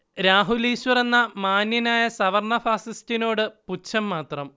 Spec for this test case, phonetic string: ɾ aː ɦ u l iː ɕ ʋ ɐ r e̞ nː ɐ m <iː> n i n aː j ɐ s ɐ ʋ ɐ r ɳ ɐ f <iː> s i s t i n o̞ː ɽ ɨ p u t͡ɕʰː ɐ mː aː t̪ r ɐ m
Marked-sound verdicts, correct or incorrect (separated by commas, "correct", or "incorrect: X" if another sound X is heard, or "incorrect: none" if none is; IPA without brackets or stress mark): incorrect: aː, incorrect: aː